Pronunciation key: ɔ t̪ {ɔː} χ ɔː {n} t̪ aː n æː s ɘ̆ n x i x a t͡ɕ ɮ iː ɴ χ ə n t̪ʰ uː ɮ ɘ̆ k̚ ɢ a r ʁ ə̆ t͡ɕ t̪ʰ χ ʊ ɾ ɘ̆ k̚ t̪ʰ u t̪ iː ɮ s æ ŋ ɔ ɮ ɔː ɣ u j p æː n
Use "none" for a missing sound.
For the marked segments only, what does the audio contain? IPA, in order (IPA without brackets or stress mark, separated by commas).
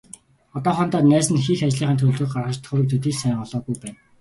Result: ɔː, n